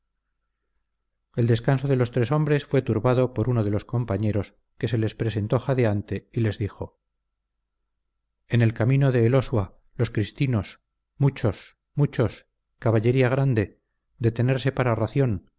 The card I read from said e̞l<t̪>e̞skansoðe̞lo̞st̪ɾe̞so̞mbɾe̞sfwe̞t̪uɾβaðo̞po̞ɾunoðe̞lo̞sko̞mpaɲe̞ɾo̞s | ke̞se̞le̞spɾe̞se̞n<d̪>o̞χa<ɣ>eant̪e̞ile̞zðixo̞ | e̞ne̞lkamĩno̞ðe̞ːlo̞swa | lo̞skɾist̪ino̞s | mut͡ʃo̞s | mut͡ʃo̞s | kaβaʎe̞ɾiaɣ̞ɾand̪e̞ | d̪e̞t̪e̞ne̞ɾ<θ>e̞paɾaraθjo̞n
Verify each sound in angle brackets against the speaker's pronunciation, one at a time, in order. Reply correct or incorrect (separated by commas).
incorrect, incorrect, incorrect, incorrect